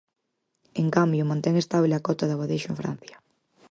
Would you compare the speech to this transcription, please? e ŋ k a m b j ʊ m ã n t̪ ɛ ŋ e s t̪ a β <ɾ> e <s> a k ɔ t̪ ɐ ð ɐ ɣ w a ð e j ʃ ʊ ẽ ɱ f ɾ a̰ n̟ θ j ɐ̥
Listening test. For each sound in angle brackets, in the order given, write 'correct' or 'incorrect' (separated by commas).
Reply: incorrect, incorrect